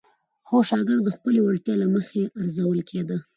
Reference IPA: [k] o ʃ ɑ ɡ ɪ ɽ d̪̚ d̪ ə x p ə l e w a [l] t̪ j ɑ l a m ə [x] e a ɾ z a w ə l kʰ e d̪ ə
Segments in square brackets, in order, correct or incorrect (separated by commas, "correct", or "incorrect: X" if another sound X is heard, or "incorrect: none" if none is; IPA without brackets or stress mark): incorrect: x, incorrect: ɽ, correct